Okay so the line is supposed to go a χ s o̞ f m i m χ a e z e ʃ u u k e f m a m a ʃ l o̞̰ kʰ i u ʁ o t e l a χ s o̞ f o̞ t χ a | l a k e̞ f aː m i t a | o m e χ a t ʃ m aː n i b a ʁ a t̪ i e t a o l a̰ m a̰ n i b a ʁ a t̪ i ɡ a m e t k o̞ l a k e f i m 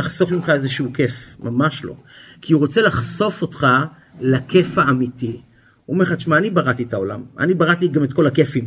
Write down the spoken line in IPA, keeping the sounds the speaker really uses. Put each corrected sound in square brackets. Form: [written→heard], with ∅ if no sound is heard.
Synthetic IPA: a χ s o̞ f m i m χ a e z e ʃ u u k e f m a m a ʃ l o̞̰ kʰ i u ʁ o [t→t͡s] e l a χ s o̞ f o̞ t χ a | l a k e̞ f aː m i t [a→i] | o m e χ a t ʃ m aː n i b a ʁ a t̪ i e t a o l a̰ m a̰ n i b a ʁ a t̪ i ɡ a m e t k o̞ l a k e f i m